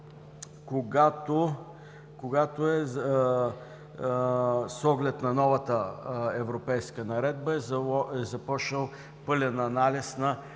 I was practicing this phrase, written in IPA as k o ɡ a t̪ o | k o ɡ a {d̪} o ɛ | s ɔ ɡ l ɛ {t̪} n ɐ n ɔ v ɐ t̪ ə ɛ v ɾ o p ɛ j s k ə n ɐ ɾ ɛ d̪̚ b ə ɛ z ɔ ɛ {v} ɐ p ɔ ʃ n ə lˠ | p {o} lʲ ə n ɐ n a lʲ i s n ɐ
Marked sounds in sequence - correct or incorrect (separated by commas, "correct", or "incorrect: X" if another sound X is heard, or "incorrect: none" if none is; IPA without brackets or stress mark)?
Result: incorrect: t̪, correct, incorrect: z, incorrect: ɤ